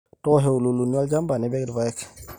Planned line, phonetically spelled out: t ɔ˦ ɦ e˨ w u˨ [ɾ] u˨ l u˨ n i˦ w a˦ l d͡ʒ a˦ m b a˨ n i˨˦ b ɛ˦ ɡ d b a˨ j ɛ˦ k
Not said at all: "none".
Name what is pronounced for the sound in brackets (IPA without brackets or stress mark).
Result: l